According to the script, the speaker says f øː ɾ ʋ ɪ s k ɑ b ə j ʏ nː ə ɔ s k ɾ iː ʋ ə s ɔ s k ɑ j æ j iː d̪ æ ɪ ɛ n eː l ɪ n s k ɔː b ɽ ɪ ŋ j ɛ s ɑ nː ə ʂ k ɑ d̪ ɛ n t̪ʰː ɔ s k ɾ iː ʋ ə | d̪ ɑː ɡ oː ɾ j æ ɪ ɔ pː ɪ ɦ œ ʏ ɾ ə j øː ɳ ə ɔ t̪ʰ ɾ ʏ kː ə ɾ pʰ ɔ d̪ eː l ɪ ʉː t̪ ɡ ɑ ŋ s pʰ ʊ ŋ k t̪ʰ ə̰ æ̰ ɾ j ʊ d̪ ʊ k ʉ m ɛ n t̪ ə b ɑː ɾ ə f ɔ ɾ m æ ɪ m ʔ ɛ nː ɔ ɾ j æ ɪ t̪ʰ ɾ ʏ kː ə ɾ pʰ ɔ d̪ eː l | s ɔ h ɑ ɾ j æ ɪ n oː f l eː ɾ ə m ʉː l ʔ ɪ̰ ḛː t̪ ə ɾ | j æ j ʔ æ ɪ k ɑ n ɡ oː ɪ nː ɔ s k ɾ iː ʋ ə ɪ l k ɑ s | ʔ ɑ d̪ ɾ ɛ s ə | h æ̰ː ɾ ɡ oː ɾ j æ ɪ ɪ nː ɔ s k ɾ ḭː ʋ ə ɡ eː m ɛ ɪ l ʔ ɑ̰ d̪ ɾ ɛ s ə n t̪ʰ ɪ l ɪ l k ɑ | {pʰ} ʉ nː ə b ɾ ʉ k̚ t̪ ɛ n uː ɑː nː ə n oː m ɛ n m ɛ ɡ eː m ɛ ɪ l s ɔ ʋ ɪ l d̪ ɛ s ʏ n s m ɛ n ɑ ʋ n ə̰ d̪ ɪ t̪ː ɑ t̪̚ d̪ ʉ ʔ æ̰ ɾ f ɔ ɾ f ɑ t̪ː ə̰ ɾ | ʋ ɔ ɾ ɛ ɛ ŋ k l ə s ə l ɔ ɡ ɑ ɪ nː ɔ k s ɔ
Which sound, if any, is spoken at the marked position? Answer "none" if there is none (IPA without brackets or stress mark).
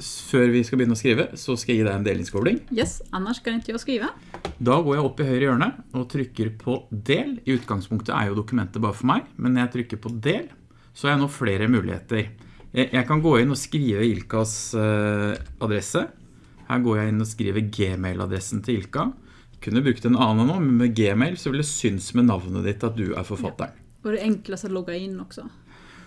kʰ